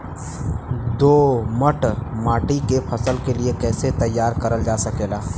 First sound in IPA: d̪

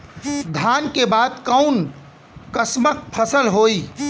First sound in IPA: d̪ʱ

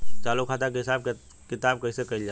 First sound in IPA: t͡ʃ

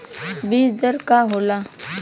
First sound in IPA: b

